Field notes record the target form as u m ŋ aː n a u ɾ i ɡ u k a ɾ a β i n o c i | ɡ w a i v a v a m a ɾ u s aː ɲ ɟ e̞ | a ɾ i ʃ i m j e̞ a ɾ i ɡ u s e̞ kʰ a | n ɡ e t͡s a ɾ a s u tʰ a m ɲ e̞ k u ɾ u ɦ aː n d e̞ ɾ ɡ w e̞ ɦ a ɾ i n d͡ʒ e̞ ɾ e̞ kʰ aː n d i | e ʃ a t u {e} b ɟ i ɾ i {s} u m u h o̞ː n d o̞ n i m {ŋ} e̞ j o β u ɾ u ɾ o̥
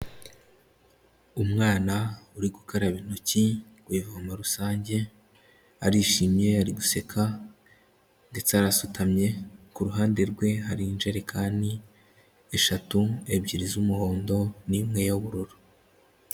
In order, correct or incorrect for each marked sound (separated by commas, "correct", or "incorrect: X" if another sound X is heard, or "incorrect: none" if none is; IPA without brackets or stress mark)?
correct, incorrect: z, correct